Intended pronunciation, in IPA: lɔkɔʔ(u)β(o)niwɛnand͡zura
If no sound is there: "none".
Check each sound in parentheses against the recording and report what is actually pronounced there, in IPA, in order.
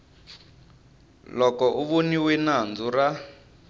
u, o

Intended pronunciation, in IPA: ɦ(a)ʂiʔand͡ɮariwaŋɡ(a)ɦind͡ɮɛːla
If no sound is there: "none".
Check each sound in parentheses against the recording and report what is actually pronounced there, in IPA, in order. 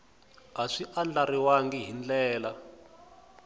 a, i

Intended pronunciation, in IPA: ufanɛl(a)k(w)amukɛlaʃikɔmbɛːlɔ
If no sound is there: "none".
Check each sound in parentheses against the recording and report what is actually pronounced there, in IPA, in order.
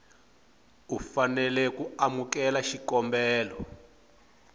ɛ, u

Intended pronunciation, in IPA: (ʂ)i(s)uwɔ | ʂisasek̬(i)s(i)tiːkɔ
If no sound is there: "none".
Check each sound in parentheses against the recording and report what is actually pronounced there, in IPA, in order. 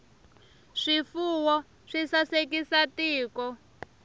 ʂ, f, i, a

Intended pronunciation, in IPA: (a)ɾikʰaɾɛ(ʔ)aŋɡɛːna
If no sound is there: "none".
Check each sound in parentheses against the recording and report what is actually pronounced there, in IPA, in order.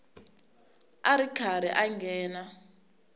a, ʔ

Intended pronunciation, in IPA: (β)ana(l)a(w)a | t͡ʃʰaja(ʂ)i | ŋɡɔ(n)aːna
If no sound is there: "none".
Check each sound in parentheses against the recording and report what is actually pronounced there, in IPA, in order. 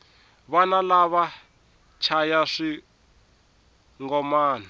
β, l, β, ʂ, m

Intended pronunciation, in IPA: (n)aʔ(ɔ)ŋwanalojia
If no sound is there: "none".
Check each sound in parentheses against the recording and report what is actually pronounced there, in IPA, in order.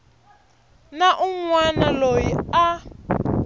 n, u

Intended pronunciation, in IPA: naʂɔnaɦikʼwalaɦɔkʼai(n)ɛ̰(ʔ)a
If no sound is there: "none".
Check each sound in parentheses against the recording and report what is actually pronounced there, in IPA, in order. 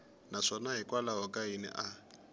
n, ʔ

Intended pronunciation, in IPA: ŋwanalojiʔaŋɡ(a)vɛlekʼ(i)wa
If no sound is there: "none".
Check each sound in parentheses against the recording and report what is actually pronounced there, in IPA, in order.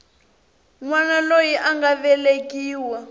a, iː

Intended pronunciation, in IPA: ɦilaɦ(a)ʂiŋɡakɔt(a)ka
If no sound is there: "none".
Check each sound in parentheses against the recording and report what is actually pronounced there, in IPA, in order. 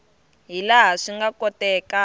a, ɛ

